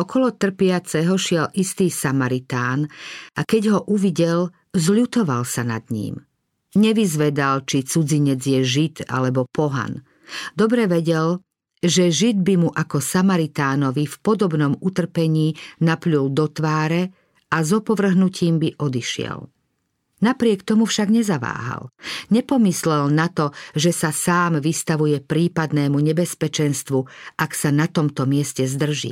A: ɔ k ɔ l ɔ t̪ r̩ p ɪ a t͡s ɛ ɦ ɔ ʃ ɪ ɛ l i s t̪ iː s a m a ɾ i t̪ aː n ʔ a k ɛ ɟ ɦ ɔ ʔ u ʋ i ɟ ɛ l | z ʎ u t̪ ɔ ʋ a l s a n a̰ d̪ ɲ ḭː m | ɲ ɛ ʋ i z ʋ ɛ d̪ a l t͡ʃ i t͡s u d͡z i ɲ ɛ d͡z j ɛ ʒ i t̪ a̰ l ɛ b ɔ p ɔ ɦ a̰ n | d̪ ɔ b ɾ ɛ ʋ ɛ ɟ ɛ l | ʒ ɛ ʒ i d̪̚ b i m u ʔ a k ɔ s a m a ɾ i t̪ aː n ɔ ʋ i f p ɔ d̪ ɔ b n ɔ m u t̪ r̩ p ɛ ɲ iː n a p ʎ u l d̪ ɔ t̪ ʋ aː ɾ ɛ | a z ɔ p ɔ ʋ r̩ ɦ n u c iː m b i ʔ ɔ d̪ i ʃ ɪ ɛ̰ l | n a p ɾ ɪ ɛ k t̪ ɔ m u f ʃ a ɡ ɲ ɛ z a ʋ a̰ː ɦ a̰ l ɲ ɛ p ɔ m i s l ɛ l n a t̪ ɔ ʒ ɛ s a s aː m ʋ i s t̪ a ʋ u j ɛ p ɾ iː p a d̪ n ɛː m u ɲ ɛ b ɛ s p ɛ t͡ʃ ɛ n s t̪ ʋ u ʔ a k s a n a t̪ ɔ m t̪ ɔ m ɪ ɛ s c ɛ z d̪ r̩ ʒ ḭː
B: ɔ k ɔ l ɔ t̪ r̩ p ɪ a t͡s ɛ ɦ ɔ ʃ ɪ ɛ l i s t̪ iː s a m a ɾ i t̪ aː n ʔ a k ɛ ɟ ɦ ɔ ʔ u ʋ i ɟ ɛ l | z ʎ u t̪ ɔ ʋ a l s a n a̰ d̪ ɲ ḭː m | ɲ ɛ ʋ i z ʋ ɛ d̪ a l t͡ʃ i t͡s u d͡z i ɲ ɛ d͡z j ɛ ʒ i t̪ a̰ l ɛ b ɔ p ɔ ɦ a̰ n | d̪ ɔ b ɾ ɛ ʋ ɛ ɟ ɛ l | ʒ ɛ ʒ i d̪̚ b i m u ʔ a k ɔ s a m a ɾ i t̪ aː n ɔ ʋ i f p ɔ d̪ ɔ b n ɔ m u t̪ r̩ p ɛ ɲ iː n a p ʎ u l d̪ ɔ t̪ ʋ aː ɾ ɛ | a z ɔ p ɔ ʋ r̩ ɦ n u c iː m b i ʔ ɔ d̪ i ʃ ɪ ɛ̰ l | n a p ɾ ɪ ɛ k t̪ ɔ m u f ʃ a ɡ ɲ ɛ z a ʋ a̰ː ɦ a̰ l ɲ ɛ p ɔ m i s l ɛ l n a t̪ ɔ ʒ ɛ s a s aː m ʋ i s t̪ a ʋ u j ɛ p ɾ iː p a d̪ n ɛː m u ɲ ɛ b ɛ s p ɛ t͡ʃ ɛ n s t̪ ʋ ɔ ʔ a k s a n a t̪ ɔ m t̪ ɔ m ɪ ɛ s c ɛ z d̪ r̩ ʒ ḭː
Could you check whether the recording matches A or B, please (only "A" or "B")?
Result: A